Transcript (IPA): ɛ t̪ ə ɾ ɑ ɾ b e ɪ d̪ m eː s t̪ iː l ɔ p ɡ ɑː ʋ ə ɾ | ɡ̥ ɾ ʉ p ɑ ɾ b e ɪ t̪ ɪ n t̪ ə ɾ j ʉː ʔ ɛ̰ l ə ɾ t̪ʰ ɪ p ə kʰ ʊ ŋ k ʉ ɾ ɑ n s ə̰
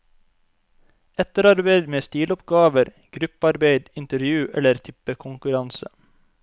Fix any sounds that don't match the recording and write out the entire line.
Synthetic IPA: ɛ t̪ ə ɾ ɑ ɾ b e ɪ d̪ m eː s t̪ iː l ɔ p ɡ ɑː ʋ ə ɾ | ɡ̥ ɾ ʉ p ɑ ɾ b e ɪ d̪ ɪ n t̪ ə ɾ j ʉː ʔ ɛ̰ l ə ɾ t̪ʰ ɪ p ə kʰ ʊ ŋ k ʉ ɾ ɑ n s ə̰